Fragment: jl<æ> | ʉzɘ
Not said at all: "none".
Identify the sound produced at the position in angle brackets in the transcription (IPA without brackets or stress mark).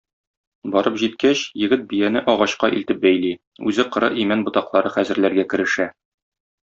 i